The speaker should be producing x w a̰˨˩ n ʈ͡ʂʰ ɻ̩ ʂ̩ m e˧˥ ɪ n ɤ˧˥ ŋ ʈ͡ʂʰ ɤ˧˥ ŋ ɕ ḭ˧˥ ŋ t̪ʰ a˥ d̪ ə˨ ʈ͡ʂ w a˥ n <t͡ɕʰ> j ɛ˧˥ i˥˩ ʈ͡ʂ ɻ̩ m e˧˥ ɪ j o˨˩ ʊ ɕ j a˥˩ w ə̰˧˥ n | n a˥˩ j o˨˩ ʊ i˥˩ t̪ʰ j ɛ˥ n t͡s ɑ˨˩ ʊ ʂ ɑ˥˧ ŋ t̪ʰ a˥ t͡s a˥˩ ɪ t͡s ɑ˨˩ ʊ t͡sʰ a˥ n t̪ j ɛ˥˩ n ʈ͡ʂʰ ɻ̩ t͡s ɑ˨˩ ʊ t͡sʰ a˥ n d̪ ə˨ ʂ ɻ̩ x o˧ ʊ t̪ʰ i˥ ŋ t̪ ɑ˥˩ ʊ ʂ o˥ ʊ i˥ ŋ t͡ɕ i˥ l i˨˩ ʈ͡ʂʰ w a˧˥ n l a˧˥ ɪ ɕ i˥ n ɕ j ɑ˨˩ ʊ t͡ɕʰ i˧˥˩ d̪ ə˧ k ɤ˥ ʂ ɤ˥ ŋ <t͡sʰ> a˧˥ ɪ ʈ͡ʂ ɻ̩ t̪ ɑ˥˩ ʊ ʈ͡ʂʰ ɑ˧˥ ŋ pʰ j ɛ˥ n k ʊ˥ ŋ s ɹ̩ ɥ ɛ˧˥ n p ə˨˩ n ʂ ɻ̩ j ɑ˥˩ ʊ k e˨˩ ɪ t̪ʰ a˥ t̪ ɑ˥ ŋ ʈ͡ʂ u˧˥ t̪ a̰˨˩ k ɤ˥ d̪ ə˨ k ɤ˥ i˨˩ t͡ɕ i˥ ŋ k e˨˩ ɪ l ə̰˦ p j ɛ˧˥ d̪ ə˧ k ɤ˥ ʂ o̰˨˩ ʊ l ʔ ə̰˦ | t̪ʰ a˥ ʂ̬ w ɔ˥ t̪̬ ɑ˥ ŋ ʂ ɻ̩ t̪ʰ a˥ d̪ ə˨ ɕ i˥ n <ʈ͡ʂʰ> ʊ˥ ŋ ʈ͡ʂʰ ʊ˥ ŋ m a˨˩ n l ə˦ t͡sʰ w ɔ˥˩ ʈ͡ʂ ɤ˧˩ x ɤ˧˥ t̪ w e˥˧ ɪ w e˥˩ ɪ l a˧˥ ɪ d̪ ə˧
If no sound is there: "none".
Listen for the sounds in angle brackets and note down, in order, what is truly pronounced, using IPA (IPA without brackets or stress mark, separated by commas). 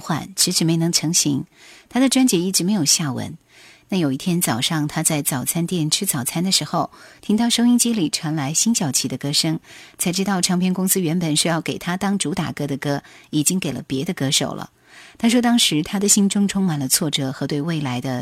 t͡ɕ, t͡sʰ, ʈ͡ʂ